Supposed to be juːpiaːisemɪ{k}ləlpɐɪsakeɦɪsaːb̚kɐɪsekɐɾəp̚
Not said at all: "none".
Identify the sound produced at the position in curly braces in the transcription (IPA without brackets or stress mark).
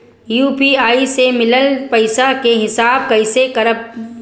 none